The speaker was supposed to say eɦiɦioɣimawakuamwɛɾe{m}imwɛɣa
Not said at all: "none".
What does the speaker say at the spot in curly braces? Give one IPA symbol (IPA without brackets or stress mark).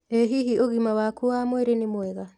n